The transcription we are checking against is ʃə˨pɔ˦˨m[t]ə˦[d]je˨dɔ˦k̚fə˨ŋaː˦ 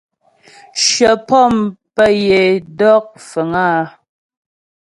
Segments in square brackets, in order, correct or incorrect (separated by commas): incorrect, incorrect